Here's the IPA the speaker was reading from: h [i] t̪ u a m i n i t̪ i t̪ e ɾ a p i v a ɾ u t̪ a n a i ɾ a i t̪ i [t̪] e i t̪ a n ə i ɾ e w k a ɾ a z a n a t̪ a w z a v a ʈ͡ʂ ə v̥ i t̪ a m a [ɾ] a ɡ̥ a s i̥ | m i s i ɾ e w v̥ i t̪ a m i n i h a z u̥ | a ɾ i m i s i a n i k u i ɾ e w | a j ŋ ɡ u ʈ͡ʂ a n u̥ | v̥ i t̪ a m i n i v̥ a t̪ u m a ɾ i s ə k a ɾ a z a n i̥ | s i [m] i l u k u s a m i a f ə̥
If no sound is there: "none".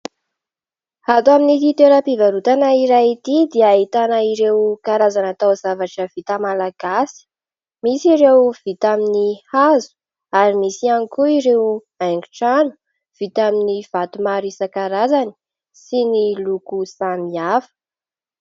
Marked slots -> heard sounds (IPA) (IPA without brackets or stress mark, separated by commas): a, d̪, l, n